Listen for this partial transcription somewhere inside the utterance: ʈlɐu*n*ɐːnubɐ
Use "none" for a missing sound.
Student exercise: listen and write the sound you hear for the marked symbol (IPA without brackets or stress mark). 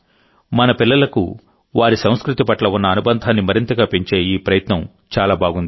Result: nː